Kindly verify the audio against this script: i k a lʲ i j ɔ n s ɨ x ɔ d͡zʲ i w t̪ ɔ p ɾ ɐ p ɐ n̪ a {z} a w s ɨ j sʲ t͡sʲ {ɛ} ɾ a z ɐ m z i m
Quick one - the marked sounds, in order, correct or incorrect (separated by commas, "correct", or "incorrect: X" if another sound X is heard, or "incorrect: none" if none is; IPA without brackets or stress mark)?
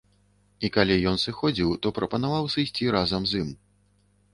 incorrect: v, incorrect: i